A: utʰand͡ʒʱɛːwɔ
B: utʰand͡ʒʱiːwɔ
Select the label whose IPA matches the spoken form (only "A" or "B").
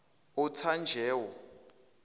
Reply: A